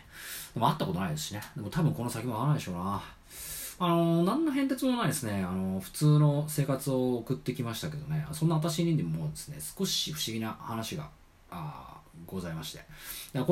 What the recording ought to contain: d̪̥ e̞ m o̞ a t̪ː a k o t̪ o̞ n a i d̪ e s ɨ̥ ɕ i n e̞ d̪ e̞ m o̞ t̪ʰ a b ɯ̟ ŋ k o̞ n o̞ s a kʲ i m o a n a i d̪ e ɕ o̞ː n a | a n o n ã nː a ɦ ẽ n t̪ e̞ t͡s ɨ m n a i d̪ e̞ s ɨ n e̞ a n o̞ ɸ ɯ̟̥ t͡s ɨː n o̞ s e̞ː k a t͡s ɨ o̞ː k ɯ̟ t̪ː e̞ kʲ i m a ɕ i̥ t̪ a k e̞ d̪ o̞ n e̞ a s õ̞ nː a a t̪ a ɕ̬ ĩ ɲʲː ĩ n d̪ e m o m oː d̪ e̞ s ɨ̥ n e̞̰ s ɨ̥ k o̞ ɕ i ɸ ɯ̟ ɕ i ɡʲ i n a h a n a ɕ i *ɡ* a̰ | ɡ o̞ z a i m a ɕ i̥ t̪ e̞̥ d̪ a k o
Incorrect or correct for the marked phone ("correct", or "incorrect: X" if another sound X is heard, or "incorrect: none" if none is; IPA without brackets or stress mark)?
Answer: correct